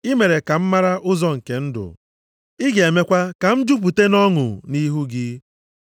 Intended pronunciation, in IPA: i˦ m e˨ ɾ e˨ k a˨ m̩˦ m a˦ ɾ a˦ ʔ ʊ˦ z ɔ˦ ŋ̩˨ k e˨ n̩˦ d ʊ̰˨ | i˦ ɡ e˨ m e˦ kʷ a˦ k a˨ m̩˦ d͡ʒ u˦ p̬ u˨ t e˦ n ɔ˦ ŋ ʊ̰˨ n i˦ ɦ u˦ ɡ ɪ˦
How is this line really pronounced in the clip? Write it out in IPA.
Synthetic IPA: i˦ m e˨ ɾ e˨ k a˨ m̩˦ m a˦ ɾ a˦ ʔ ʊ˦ z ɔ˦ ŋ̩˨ k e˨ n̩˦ d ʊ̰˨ | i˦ ɡ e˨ m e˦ kʷ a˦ k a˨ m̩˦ d͡ʒ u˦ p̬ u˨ t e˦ n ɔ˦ ŋ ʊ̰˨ n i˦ ɦ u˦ ɡ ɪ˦